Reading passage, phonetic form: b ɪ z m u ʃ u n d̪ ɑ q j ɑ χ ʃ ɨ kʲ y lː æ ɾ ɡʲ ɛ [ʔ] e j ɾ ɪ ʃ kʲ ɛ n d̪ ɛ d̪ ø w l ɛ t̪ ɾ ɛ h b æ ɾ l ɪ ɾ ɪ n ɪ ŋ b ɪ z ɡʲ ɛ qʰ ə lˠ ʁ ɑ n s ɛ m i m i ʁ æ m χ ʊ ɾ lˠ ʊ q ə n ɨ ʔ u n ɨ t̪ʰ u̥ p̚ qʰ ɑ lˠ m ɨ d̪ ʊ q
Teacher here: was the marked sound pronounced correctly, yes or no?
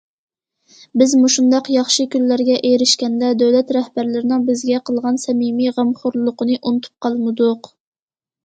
yes